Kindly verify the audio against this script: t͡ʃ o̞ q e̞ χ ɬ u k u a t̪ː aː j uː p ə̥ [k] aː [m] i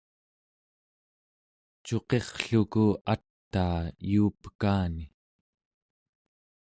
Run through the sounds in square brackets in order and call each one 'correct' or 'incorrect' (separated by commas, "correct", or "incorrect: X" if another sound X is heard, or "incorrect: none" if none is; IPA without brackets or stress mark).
correct, incorrect: n